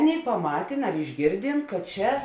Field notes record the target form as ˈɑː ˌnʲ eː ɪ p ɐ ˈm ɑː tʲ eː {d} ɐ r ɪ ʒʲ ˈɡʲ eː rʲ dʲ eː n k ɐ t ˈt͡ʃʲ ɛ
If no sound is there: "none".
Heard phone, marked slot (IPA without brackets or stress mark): n